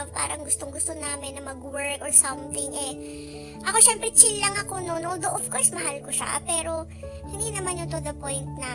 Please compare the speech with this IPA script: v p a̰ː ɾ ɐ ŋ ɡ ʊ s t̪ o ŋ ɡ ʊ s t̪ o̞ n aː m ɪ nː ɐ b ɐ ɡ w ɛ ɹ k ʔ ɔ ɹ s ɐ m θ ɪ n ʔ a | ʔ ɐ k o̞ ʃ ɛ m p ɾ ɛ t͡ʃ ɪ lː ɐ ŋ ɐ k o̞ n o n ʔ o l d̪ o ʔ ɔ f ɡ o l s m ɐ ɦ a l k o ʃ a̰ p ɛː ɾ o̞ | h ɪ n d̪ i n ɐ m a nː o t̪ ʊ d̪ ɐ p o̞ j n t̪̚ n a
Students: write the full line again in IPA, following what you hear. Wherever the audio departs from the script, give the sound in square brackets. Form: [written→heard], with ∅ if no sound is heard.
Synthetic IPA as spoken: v p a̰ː ɾ ɐ ŋ ɡ ʊ s t̪ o ŋ ɡ ʊ s t̪ o̞ n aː m ɪ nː ɐ [b→m] ɐ ɡ w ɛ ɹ k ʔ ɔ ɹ s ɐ m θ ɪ [n→ŋ] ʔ [a→ɛ] | ʔ ɐ k o̞ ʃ ɛ m p ɾ ɛ t͡ʃ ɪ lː ɐ ŋ ɐ k o̞ n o n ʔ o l d̪ o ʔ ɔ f [ɡ→k] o [l→ɹ] s m ɐ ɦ a l k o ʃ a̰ p ɛː ɾ o̞ | h ɪ n d̪ i n ɐ m a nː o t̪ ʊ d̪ ɐ p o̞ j n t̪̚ n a